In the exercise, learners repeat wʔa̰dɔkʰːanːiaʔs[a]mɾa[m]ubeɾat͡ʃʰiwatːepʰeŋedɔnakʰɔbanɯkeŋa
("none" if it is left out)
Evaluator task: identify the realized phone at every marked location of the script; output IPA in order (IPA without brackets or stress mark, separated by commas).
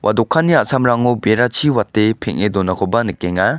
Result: a, ŋ